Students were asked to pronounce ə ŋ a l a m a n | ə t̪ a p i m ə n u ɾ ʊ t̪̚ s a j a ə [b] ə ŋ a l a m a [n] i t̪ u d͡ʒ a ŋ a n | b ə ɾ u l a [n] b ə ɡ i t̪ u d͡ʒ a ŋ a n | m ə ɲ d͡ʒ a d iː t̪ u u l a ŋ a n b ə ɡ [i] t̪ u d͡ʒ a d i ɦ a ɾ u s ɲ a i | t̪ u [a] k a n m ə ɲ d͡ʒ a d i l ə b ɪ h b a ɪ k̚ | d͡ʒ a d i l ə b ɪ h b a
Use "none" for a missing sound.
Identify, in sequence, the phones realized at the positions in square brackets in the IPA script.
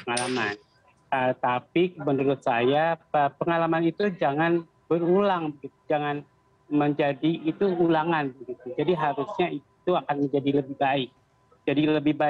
p, n, ŋ, i, a

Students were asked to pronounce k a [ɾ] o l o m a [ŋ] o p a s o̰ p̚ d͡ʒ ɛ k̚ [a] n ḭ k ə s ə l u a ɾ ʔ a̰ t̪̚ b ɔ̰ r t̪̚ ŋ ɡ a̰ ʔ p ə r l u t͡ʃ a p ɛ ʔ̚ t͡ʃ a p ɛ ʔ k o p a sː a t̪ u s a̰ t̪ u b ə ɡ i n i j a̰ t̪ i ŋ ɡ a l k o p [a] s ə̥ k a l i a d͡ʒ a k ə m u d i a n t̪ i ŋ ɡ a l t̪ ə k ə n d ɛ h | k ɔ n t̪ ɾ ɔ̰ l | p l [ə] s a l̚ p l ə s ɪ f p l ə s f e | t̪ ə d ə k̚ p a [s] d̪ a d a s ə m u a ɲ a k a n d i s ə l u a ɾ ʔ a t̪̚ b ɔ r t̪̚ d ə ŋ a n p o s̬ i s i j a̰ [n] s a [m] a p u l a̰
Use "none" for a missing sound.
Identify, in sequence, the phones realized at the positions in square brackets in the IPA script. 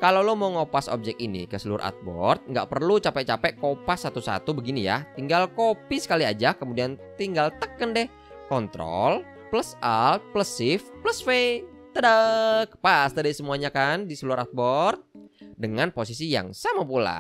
l, ŋ, i, i, ə, s, ŋ, m

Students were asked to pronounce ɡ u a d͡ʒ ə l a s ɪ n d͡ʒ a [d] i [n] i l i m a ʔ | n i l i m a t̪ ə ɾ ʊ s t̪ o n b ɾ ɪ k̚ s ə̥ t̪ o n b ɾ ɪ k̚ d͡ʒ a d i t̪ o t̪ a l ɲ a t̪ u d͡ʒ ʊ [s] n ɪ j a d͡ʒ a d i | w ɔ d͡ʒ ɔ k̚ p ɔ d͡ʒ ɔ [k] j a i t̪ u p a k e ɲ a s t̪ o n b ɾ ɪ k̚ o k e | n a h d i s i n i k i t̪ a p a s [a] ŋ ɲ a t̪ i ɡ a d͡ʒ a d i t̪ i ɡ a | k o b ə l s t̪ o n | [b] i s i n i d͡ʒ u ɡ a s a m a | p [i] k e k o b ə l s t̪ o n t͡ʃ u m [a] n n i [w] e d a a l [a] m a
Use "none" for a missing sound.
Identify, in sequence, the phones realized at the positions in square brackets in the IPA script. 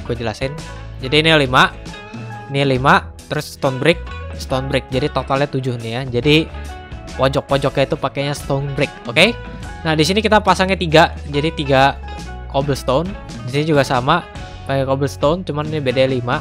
d, n, h, k, a, d, a, a, b, i

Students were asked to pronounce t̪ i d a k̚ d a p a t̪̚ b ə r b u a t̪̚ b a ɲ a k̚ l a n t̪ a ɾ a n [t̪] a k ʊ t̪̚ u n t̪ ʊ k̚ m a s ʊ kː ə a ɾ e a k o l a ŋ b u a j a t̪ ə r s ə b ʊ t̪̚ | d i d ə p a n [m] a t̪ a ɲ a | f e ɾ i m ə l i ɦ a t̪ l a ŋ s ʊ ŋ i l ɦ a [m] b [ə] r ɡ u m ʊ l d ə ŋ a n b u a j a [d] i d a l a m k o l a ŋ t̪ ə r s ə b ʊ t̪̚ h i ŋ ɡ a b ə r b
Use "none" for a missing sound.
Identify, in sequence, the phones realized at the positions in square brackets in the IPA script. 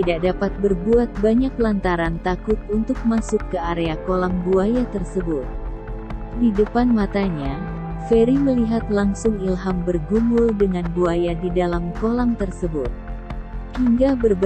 t̪, m, m, ə, d

